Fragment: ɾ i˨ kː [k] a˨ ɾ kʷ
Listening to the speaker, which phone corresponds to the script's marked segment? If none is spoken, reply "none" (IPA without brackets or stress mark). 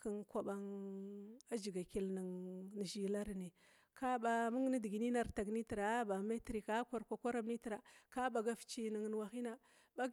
k